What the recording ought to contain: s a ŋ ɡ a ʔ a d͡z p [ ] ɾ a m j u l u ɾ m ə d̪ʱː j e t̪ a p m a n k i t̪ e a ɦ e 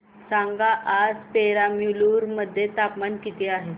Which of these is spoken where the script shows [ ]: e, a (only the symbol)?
e